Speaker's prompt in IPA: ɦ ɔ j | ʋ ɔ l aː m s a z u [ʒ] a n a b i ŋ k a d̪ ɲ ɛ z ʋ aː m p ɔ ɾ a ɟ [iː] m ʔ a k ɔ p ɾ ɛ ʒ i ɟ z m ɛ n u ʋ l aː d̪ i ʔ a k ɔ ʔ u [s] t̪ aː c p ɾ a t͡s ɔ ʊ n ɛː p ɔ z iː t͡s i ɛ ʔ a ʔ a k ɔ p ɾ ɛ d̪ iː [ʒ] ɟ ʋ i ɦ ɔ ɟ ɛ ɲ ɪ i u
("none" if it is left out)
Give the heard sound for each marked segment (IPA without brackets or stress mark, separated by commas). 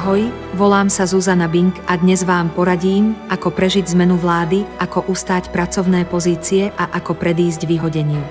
z, iː, s, z